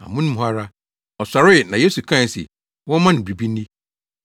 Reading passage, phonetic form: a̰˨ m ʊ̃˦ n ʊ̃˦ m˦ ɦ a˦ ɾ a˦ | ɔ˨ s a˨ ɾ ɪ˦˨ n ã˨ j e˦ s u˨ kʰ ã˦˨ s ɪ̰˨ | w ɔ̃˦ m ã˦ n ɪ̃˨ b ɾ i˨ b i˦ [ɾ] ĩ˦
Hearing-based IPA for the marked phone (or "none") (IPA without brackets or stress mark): none